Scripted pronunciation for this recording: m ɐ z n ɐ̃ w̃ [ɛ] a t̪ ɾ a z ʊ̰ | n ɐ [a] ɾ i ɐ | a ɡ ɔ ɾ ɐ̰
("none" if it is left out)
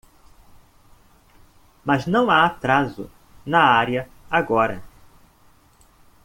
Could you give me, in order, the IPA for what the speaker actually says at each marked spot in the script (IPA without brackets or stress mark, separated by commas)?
a, a